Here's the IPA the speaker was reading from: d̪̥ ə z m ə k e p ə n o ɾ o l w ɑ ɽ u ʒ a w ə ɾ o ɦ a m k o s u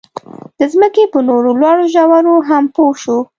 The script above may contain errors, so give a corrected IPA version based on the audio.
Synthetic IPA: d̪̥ ə z m ə k e p ə n o ɾ o l w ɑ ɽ o ʒ a w a ɾ o ɦ a m p o ʃ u